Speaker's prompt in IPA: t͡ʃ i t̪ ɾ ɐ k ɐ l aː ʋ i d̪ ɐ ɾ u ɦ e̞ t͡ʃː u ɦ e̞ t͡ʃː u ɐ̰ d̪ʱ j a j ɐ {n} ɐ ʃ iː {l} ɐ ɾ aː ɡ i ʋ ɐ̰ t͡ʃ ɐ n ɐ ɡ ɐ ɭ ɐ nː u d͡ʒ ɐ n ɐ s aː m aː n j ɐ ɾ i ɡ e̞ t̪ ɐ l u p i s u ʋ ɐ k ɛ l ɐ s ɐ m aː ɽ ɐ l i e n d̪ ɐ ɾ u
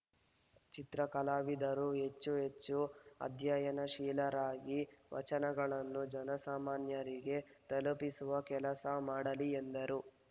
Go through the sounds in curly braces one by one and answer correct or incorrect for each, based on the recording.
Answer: correct, correct

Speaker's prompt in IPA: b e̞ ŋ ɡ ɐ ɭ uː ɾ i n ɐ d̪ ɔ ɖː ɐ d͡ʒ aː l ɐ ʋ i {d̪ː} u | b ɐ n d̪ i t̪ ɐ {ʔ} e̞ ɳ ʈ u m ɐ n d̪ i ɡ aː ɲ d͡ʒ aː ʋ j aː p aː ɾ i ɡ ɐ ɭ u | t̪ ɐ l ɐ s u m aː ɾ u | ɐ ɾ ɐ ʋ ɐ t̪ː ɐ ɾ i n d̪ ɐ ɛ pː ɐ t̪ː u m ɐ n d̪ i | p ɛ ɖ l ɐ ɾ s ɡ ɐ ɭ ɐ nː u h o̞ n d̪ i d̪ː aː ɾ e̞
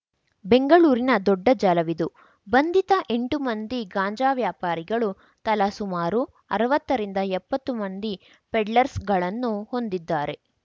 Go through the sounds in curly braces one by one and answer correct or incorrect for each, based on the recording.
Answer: incorrect: d̪, correct

